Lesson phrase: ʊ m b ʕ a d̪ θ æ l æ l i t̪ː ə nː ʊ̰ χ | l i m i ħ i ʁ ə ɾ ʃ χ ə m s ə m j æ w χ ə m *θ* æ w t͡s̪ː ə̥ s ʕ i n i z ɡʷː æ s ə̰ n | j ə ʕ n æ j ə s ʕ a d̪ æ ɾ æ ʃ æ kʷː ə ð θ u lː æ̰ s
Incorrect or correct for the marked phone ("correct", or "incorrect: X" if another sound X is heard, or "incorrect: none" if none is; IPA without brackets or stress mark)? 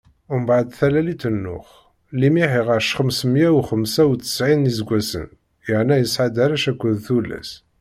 incorrect: s